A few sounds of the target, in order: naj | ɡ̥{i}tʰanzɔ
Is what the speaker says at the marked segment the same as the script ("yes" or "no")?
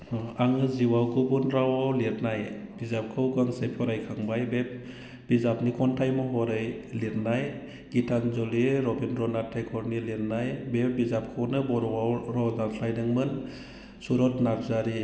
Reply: yes